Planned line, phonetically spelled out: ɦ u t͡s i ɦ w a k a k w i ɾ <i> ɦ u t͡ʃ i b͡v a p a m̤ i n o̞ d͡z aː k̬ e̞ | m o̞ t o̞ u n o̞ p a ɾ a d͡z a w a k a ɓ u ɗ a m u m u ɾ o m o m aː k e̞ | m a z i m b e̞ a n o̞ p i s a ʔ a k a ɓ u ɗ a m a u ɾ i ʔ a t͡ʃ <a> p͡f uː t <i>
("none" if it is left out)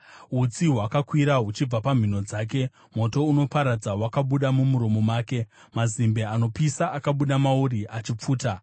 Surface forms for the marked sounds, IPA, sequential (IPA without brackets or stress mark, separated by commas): a, i, a